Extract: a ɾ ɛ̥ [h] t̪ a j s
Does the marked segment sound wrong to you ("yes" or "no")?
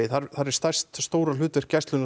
yes